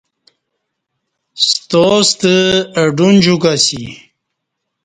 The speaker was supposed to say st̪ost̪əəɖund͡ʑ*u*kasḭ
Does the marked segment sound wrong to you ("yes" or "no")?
no